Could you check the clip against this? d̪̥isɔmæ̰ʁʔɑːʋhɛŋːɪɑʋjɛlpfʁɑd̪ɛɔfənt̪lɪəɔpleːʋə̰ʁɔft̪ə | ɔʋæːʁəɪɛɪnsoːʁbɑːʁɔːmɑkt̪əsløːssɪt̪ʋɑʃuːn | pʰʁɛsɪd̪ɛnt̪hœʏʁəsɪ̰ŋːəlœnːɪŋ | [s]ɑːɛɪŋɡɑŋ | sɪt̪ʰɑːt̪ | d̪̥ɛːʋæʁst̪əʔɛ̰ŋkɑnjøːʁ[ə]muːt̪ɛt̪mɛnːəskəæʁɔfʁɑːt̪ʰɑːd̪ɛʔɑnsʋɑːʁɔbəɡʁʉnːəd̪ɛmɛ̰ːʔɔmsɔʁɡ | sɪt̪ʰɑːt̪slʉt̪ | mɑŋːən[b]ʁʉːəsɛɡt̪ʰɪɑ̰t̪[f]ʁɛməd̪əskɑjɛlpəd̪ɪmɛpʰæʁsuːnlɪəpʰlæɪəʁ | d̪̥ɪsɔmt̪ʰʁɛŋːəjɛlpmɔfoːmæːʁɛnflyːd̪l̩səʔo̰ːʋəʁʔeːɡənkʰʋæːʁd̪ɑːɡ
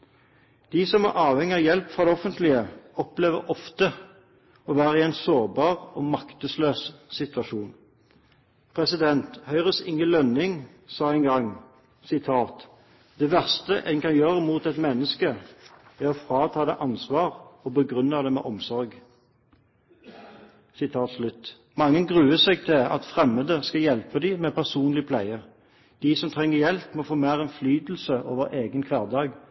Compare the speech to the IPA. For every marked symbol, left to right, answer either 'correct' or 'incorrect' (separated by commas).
correct, correct, incorrect, correct